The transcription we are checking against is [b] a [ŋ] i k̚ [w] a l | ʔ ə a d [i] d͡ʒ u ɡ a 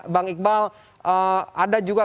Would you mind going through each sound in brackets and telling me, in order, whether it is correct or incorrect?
correct, correct, incorrect: b, incorrect: a

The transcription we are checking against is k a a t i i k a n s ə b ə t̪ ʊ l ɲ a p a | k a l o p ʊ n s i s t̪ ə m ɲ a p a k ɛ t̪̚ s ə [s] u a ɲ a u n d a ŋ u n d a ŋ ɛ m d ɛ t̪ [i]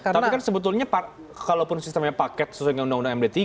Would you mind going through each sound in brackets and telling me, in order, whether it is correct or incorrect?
correct, correct

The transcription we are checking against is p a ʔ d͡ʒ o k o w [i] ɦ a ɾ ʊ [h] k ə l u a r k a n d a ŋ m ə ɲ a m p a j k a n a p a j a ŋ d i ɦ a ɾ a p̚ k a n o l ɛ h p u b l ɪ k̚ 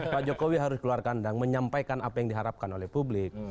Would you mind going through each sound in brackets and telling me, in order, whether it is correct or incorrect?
correct, incorrect: s

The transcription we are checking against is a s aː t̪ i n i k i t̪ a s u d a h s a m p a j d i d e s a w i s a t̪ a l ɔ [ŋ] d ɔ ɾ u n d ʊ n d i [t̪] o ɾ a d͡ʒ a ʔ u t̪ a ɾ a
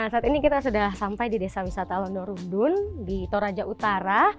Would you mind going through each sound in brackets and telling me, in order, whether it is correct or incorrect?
incorrect: n, correct

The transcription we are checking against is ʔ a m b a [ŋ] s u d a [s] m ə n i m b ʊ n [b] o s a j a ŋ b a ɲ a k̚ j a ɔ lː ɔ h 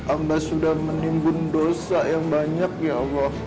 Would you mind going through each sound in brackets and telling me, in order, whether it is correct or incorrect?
incorrect: none, incorrect: h, incorrect: d

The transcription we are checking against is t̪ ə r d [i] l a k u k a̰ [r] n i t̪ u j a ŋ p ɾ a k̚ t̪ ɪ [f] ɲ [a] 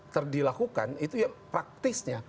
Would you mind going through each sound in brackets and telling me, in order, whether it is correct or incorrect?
correct, incorrect: none, incorrect: s, correct

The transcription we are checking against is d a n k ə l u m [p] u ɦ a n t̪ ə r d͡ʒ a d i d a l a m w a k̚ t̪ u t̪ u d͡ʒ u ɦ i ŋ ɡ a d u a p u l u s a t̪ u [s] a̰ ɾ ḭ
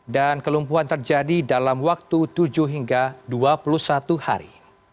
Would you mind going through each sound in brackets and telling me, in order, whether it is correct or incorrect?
correct, incorrect: h

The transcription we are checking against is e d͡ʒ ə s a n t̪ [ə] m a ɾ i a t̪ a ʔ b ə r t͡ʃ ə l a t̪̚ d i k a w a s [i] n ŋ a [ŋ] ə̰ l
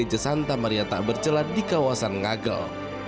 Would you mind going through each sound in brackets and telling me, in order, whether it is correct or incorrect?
incorrect: a, incorrect: a, incorrect: ɡ

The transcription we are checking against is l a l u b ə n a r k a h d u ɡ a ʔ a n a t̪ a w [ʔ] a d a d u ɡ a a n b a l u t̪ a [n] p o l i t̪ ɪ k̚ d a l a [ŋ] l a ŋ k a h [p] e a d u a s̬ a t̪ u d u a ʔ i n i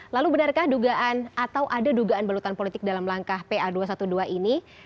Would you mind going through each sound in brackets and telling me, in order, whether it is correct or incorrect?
correct, correct, incorrect: m, correct

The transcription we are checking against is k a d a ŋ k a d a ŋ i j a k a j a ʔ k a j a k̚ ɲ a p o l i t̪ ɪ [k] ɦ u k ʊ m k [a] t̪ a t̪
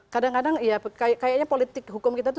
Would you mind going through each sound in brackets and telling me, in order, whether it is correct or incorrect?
correct, incorrect: i

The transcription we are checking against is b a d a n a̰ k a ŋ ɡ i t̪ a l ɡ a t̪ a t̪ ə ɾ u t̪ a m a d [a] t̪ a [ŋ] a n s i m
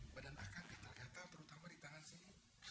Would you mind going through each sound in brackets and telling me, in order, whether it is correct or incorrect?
incorrect: i, correct

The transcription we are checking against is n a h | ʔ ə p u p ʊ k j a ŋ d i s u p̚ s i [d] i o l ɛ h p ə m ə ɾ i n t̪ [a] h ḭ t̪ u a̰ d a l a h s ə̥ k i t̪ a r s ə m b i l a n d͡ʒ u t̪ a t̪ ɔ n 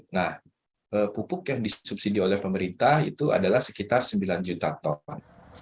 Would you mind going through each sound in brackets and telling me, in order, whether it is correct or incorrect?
correct, correct

